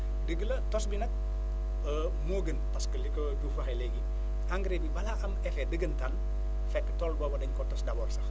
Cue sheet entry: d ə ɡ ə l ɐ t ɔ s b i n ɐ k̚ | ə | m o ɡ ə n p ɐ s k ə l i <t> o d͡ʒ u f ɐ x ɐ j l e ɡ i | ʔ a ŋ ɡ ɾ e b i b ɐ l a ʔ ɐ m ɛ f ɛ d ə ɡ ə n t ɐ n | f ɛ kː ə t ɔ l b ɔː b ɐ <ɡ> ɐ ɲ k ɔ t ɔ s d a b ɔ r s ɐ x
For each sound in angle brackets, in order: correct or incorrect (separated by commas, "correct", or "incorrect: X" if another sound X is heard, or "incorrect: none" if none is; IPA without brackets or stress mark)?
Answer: incorrect: k, incorrect: d